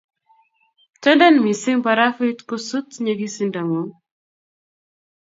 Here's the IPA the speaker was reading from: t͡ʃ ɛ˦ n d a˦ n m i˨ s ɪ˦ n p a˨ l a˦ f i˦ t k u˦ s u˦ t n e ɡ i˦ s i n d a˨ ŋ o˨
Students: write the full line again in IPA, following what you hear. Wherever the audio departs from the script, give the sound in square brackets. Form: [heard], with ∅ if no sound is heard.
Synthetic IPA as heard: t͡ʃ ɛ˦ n d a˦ n m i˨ s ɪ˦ [ŋ] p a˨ [ɾ] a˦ f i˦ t k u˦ s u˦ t [ɲ] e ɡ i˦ s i n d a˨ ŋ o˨

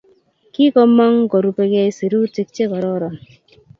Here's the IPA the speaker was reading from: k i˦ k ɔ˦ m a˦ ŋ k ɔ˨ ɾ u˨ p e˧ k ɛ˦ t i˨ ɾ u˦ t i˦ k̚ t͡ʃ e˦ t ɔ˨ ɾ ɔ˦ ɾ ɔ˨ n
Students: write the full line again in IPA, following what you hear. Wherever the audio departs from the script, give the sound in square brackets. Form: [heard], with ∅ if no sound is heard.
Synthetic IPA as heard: k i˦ k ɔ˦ m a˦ ŋ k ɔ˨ ɾ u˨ p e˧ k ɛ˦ [s] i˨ ɾ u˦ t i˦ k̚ t͡ʃ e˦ [k] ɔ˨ ɾ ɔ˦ ɾ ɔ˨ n

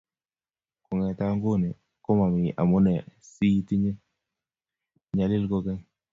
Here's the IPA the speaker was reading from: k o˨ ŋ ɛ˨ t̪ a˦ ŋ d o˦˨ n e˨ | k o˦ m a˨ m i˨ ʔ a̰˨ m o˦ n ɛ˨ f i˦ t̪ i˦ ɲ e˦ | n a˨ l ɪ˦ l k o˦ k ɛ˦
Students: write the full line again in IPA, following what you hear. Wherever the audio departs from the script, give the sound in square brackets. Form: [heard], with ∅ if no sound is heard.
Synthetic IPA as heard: k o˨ ŋ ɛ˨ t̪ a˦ ŋ [ɡ] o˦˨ n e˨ | k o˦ m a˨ m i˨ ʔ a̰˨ m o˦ n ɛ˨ [s] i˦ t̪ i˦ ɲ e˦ | [ɲ] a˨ l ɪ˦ l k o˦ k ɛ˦

